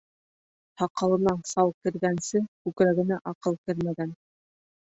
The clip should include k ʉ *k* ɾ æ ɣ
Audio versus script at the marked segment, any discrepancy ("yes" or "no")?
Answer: no